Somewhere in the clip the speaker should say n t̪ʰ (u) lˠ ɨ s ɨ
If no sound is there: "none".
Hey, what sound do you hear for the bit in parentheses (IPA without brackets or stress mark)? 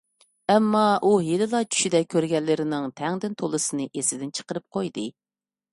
o